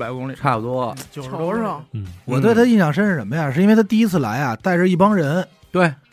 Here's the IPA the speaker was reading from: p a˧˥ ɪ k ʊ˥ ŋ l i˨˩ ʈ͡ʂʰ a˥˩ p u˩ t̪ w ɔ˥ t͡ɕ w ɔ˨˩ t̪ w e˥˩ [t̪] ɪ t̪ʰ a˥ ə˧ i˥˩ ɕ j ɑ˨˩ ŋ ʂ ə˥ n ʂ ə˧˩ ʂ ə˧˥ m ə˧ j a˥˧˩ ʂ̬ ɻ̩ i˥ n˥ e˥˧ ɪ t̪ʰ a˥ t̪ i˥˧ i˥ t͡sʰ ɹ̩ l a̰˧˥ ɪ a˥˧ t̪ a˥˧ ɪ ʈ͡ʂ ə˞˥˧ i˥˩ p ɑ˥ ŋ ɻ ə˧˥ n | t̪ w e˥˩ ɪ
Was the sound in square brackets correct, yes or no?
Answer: no